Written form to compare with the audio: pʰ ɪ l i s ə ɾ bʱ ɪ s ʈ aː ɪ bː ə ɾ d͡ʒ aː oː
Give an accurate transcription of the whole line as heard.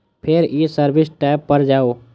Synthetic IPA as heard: pʰ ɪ ɾ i s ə ɾ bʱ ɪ s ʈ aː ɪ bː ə ɾ d͡ʒ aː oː